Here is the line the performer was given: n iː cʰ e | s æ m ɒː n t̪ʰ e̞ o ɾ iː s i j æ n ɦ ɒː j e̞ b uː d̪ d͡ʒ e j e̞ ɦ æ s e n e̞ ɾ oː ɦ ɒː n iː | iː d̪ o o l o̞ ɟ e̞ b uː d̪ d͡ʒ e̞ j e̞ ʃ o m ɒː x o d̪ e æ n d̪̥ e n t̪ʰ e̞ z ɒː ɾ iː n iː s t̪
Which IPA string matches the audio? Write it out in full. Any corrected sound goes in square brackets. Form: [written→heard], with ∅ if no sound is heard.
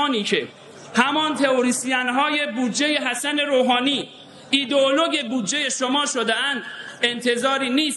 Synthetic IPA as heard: n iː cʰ e | [s→h] æ m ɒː n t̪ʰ e̞ o ɾ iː s i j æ n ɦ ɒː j e̞ b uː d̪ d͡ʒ e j e̞ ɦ æ s [e→æ] n e̞ ɾ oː ɦ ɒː n iː | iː d̪ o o l o̞ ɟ e̞ b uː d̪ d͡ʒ e̞ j e̞ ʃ o m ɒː [x→ʃ] o d̪ e æ n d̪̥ e n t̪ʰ e̞ z ɒː ɾ iː n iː s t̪